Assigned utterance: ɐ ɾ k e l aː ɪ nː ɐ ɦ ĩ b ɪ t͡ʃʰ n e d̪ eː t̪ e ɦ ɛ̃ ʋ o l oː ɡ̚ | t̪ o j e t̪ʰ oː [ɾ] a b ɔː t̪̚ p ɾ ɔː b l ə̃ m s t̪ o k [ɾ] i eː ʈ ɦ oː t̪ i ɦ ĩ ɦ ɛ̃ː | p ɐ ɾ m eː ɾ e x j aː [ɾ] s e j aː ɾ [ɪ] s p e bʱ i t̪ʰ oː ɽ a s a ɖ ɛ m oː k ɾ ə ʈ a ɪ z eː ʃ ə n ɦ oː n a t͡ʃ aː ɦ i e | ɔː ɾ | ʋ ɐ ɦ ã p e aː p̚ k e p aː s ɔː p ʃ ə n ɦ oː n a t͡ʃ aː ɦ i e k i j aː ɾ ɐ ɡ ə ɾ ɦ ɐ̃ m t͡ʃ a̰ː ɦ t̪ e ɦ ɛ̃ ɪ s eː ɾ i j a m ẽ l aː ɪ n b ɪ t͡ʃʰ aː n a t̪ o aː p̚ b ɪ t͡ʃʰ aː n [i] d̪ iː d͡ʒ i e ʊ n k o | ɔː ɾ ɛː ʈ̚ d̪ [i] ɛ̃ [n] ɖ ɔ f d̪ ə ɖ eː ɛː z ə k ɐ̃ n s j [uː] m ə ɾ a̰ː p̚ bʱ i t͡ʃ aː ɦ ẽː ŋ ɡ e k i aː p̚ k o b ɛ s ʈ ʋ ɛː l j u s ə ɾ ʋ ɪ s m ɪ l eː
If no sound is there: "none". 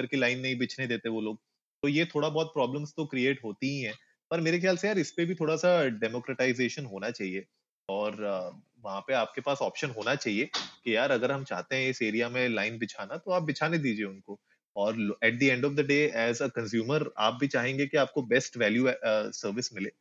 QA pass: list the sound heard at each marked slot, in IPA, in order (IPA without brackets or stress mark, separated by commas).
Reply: ɽ, ɾ, l, ɪ, e, i, ɳ, uː